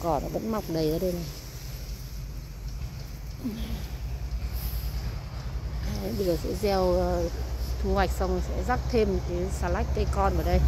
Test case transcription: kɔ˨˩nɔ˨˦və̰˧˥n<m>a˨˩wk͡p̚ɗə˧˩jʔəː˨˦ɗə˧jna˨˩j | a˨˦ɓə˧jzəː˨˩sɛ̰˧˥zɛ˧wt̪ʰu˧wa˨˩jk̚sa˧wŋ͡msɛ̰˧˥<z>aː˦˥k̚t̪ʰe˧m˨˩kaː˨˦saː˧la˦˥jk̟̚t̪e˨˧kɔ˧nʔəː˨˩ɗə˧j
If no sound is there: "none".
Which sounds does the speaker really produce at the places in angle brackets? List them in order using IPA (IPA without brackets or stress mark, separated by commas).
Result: m, z